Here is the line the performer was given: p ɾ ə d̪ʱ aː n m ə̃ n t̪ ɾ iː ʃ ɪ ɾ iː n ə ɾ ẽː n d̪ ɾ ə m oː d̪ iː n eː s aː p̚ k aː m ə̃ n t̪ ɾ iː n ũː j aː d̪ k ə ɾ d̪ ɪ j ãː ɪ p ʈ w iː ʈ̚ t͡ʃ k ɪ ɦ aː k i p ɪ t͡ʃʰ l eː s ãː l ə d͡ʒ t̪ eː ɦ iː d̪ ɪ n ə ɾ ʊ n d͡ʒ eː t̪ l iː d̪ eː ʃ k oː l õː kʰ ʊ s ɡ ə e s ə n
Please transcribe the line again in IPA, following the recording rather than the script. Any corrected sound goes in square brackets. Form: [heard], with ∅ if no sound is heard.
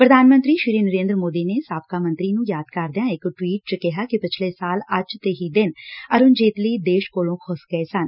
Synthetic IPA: p ɾ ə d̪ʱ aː n m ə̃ n t̪ ɾ iː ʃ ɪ ɾ iː n ə ɾ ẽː n d̪ ɾ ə m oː d̪ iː n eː s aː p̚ k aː m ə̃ n t̪ ɾ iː n ũː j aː d̪ k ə ɾ d̪ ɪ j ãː ɪ [k] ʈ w iː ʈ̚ t͡ʃ k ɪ ɦ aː k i p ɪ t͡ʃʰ l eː s [aː] l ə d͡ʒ t̪ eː ɦ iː d̪ ɪ n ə ɾ ʊ n d͡ʒ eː t̪ l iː d̪ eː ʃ k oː l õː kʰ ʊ s ɡ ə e s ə n